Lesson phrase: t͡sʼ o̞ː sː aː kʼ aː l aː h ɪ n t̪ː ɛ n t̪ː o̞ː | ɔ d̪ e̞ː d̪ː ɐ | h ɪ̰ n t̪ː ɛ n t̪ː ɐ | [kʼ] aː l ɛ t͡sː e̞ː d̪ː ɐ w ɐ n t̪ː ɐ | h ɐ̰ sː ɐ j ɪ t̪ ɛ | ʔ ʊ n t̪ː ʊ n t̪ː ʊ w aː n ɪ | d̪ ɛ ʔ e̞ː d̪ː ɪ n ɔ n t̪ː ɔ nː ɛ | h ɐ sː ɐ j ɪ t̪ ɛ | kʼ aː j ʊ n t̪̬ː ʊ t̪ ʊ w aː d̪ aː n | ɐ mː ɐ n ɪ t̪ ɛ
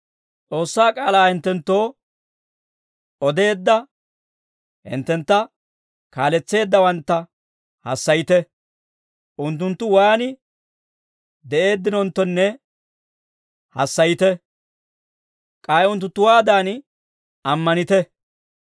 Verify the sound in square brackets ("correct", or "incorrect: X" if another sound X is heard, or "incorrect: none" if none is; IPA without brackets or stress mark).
incorrect: k